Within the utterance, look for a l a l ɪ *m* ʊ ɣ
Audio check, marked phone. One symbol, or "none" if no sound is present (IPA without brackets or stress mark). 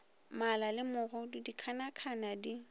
m